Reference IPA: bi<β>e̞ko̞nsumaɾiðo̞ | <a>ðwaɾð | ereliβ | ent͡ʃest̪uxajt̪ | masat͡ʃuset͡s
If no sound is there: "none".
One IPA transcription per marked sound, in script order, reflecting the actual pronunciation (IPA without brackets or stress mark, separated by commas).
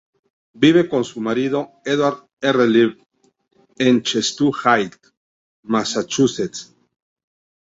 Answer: β, e